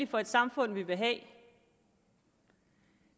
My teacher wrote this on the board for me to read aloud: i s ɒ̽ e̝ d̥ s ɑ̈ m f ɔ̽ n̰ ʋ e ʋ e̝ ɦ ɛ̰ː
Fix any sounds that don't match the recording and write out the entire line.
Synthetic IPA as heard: i f ɒ̽ e̝ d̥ s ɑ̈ m f ɔ̽ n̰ ʋ i ʋ e̝ ɦ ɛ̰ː